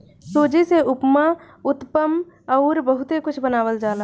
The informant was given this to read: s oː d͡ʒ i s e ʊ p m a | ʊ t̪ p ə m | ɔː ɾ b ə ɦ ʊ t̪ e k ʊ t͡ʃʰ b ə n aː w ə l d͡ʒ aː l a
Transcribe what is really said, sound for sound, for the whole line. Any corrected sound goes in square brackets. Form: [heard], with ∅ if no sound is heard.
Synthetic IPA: s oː d͡ʒ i s e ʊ p m a | ʊ t̪ p ə m | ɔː ɾ b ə ɦ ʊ t̪ e k ʊ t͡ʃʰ b ə n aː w ə l d͡ʒ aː l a